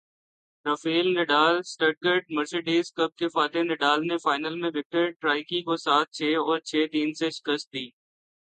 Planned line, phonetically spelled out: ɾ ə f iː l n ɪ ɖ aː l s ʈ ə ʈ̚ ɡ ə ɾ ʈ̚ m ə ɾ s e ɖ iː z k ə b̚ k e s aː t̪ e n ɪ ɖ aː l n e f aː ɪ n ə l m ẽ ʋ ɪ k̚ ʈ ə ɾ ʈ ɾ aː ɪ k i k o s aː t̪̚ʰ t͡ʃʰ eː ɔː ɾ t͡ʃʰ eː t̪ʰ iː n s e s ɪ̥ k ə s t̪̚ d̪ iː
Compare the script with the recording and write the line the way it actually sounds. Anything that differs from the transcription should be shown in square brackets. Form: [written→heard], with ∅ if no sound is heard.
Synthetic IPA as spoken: ɾ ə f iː l n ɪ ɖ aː l s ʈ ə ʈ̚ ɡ ə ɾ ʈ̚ m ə ɾ s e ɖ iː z k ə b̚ k e [s→f] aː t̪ e n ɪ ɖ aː l n e f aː ɪ n ə l m ẽ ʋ ɪ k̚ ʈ ə ɾ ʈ ɾ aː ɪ k i k o s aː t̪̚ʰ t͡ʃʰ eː ɔː ɾ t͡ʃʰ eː [t̪ʰ→t̪] iː n s e [s→ʃ] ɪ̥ k ə s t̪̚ d̪ iː

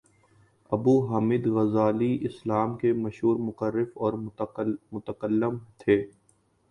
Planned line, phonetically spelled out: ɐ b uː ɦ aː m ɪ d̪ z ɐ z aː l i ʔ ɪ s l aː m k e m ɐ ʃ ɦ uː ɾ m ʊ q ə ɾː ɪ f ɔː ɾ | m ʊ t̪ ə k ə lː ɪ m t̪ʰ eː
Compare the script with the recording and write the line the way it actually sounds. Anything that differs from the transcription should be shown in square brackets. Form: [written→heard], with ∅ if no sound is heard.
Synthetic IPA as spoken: ɐ b uː ɦ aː m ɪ d̪ [z→ɣ] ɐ z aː l i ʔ ɪ s l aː m k e m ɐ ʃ ɦ uː ɾ m ʊ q ə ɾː ɪ f ɔː ɾ | m ʊ t̪ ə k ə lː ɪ m t̪ʰ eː

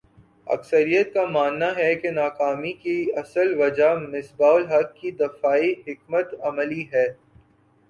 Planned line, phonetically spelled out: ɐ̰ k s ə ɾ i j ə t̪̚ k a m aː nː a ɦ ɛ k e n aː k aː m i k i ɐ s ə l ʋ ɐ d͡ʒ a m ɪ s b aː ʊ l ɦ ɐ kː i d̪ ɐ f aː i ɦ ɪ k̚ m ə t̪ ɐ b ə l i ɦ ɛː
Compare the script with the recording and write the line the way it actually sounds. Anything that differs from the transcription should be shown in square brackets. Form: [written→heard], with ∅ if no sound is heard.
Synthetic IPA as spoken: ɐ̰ k s ə ɾ i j ə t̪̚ k a m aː nː a ɦ ɛ k e n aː k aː m i k i ɐ s ə l ʋ ɐ d͡ʒ a m ɪ s b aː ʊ l ɦ ɐ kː i d̪ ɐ f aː i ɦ ɪ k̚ m ə t̪ ɐ [b→m] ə l i ɦ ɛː

